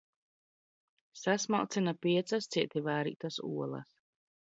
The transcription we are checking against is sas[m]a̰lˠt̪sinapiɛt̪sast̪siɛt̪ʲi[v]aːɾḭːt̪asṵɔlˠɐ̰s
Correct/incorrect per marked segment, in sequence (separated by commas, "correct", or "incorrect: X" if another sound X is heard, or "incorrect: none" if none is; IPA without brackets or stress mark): correct, correct